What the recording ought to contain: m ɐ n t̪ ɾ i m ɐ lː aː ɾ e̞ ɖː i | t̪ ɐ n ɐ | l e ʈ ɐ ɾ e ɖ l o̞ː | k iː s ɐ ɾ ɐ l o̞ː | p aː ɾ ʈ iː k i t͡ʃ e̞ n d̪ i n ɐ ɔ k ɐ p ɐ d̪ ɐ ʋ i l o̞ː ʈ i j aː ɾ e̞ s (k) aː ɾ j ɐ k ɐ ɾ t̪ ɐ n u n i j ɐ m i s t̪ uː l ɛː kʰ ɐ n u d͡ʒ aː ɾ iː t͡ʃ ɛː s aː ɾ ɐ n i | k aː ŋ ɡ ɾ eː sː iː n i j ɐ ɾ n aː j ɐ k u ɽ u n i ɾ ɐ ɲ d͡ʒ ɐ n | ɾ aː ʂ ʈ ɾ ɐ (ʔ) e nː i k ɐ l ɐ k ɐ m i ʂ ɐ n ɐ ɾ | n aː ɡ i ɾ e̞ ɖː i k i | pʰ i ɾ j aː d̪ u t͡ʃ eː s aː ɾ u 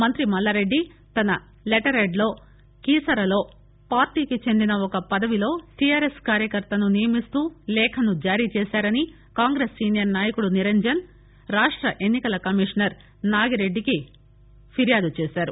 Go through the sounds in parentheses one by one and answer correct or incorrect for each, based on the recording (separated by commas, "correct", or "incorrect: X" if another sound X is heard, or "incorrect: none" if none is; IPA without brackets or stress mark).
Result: correct, correct